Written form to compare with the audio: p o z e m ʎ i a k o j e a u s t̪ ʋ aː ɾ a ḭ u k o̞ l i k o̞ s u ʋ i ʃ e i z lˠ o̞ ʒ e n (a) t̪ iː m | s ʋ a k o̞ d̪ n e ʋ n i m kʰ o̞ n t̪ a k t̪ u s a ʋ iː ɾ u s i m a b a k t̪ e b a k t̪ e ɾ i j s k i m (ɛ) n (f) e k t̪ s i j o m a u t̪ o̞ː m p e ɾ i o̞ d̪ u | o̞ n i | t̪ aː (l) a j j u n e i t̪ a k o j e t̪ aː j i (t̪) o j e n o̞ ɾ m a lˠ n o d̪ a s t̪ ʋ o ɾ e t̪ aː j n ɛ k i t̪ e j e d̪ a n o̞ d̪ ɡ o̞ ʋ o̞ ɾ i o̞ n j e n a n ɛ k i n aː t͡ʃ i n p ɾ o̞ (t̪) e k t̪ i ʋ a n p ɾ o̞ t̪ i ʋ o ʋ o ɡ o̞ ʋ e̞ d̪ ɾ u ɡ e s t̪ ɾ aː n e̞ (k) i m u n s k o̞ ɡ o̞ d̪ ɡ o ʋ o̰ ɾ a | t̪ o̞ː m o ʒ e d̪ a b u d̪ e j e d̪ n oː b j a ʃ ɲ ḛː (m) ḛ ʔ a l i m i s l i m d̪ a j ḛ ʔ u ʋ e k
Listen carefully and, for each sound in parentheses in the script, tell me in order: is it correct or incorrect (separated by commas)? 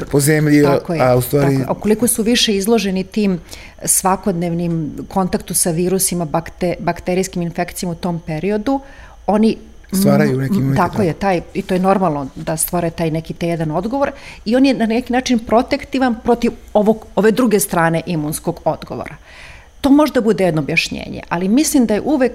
incorrect, incorrect, correct, incorrect, correct, correct, incorrect, incorrect